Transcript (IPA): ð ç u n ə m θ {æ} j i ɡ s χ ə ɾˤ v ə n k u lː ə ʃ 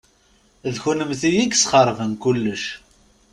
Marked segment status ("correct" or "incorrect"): incorrect